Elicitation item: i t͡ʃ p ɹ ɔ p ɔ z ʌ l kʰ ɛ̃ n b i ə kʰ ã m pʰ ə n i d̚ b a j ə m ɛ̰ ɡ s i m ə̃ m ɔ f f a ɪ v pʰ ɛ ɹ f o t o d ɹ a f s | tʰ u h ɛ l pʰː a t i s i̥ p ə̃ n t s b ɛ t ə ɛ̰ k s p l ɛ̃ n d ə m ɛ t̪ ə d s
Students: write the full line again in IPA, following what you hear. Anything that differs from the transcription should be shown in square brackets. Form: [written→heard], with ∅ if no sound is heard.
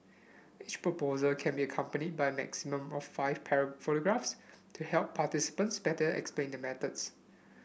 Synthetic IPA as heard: i t͡ʃ p ɹ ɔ p [ɔ→o] z [ʌ→ə] l kʰ ɛ̃ n b i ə kʰ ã m [pʰ→p] ə n i d̚ b a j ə m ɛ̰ [ɡ→k] s i m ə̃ m ɔ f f a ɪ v pʰ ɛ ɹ f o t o [d→ɡ] ɹ a f s | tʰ u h ɛ l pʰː a t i s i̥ p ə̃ n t s b ɛ t ə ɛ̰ k s p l [ɛ̃→ẽ] n d ə m ɛ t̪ ə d s